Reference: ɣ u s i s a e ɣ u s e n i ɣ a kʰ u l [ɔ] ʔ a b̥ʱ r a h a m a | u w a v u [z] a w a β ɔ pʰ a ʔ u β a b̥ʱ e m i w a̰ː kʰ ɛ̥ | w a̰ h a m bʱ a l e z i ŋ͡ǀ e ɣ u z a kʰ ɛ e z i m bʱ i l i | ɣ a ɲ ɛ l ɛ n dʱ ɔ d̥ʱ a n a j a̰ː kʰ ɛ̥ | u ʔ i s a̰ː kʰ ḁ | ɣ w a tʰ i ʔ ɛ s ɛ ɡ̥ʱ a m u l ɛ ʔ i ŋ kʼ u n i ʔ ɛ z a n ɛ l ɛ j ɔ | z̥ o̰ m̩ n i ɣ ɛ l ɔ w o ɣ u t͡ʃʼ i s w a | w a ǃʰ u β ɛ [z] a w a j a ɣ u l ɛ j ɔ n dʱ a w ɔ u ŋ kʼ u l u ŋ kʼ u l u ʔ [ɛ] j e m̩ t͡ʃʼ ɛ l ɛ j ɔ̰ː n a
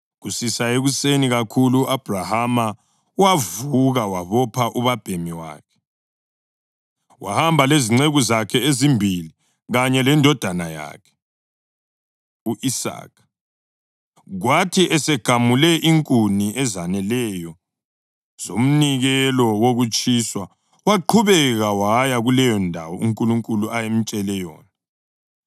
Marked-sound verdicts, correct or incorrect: incorrect, incorrect, incorrect, incorrect

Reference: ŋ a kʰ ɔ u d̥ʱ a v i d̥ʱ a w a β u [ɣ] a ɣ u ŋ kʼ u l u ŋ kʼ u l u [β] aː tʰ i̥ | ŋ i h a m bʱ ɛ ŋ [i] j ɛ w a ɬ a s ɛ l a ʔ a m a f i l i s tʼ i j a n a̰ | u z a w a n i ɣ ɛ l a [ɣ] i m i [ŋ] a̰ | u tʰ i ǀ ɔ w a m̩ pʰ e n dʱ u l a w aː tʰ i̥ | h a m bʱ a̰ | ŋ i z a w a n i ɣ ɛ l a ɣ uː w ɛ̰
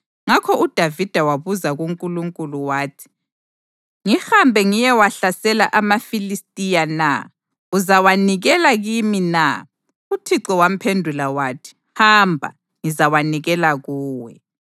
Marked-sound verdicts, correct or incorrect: incorrect, incorrect, correct, correct, incorrect

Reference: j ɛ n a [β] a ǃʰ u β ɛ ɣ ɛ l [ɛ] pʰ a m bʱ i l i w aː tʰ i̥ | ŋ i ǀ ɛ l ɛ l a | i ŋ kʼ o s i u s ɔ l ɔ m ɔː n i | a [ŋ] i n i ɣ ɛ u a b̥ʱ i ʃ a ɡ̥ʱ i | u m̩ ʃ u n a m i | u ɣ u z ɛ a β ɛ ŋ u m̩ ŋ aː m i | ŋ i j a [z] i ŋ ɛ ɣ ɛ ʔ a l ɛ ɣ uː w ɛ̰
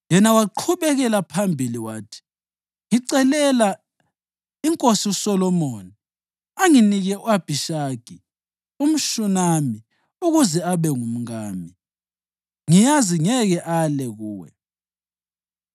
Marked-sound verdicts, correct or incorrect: incorrect, incorrect, correct, correct

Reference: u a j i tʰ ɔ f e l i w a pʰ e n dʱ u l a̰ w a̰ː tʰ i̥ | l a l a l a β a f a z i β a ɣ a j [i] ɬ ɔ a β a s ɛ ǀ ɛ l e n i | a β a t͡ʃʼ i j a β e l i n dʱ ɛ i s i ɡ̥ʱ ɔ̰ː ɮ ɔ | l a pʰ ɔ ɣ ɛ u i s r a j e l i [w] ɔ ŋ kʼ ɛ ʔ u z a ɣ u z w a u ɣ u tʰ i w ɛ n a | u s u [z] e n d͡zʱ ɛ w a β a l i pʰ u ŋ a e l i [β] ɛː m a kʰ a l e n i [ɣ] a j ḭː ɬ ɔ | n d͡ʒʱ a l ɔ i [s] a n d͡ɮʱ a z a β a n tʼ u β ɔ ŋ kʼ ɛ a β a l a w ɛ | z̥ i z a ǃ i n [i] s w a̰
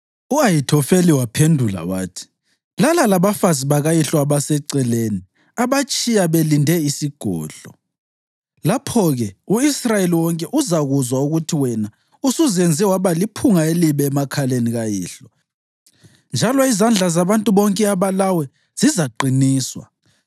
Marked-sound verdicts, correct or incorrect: correct, correct, correct, correct, correct, incorrect, incorrect

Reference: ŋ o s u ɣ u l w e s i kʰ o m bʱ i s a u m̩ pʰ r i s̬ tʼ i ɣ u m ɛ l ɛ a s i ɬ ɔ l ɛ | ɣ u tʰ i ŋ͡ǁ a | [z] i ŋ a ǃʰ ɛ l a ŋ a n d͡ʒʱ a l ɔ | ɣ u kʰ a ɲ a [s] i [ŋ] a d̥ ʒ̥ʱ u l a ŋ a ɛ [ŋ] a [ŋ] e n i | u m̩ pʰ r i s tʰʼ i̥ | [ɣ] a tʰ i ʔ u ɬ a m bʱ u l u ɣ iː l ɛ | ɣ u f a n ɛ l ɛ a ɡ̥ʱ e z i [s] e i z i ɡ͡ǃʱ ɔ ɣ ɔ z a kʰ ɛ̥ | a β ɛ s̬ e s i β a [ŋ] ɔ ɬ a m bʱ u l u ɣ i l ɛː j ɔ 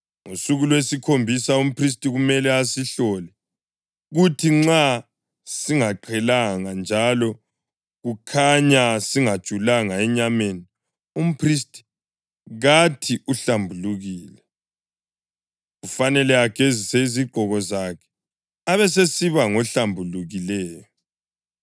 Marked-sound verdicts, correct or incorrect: incorrect, correct, correct, incorrect, incorrect, correct, correct, correct

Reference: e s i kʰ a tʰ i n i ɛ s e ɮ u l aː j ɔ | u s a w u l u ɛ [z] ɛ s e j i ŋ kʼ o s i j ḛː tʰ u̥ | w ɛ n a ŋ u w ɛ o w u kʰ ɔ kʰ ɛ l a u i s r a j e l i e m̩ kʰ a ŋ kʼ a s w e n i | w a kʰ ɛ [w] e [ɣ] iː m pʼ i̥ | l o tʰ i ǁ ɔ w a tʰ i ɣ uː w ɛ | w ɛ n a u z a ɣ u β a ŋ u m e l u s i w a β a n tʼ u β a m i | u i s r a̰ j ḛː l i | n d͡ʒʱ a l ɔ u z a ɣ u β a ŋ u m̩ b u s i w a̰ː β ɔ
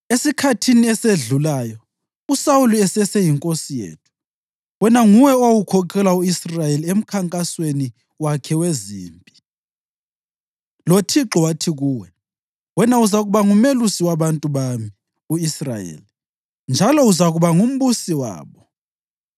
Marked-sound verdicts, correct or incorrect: incorrect, correct, incorrect

